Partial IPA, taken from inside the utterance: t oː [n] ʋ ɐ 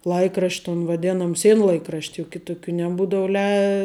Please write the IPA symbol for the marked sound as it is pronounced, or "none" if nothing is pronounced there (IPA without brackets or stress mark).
n